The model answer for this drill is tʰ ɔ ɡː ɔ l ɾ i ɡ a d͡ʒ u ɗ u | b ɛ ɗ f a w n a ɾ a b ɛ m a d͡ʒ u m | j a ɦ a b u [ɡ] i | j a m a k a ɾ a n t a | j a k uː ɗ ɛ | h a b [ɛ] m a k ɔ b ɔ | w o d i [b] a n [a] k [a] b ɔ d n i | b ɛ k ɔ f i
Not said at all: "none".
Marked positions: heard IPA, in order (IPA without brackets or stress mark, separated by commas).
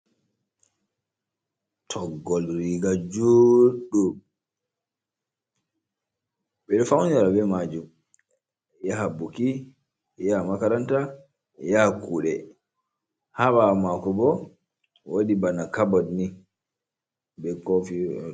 k, a, b, a, a